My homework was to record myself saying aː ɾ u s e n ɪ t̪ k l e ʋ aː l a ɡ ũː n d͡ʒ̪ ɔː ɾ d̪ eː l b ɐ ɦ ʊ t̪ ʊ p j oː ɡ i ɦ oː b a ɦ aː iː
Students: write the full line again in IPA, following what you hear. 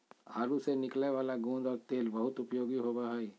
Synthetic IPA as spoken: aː ɾ u s e n ɪ k l e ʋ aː l a ɡ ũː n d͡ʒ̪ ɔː ɾ t̪ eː l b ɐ ɦ ʊ t̪ ʊ p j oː ɡ i ɦ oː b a ɦ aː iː